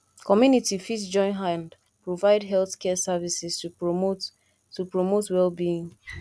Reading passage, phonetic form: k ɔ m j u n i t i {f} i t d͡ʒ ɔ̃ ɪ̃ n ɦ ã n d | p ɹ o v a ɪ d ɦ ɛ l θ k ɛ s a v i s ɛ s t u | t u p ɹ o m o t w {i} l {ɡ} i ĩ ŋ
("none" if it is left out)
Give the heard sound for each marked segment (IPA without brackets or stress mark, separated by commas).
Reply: f, ɛ, b